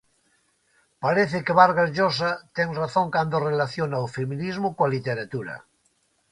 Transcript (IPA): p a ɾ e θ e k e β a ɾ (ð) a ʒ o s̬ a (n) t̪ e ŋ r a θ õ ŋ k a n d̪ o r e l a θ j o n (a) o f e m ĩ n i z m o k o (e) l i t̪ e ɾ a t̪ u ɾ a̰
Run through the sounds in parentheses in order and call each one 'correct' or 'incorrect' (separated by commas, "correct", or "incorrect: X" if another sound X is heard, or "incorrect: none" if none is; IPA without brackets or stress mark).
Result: incorrect: ɣ, incorrect: none, correct, incorrect: a